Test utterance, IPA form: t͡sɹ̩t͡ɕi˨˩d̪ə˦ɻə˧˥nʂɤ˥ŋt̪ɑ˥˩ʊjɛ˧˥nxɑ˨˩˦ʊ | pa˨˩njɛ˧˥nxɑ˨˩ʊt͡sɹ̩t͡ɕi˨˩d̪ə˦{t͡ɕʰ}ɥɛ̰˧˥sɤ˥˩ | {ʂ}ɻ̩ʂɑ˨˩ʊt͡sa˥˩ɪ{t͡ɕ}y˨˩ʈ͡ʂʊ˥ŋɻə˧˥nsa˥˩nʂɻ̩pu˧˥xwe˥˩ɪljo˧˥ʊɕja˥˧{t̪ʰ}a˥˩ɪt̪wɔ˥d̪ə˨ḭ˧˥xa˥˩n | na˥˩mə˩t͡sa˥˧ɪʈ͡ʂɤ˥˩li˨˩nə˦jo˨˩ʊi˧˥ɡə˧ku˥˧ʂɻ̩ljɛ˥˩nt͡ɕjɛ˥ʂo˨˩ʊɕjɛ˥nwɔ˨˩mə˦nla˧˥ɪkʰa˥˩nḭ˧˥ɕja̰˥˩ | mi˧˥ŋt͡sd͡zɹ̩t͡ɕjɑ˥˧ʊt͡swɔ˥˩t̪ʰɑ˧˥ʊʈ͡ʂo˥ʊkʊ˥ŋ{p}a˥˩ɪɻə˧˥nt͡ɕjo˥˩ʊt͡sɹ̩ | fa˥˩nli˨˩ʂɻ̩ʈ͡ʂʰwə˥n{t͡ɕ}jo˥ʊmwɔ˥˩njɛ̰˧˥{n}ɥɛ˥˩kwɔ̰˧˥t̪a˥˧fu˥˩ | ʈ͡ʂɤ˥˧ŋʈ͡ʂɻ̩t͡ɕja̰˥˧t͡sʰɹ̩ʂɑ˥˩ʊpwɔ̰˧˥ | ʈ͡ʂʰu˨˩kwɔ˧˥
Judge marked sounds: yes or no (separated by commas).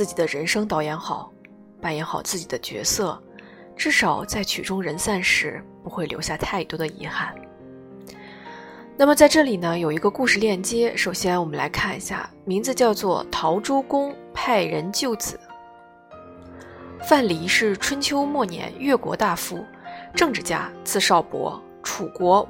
no, no, no, yes, no, no, yes